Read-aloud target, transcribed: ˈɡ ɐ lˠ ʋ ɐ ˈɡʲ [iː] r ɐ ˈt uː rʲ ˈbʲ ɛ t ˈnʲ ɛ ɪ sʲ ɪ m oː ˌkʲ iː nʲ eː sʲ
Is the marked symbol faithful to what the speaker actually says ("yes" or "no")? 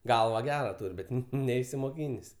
no